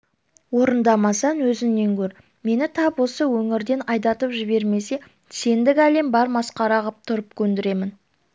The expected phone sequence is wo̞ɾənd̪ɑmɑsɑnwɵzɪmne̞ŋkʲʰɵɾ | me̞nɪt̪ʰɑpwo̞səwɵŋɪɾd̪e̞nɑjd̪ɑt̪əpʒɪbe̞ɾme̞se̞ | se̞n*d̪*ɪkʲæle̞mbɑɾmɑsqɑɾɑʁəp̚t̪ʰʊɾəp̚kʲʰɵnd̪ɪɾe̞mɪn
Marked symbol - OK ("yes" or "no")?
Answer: yes